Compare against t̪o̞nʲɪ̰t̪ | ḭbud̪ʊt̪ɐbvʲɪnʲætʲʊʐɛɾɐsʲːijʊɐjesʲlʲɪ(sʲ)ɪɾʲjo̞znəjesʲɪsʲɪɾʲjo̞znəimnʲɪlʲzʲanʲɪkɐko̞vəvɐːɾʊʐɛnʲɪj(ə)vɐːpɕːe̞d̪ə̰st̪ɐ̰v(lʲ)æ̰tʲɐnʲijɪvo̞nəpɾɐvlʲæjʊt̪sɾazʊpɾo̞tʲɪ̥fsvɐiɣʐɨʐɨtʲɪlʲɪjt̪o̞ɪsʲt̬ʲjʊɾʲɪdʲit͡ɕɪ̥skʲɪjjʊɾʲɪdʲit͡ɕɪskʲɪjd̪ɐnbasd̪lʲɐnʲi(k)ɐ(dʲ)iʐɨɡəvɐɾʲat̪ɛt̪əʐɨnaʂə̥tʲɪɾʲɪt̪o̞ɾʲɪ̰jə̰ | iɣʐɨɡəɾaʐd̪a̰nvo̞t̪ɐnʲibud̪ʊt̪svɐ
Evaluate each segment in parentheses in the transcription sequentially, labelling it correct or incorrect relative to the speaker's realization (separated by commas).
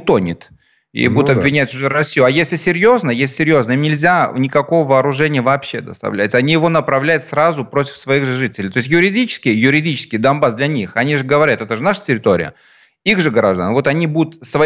correct, correct, correct, incorrect, incorrect